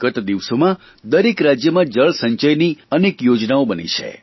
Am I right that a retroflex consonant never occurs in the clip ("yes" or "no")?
no